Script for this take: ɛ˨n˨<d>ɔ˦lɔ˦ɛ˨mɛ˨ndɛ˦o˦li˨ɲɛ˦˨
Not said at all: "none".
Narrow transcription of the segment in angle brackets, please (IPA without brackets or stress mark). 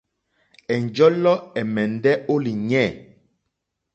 d͡ʒ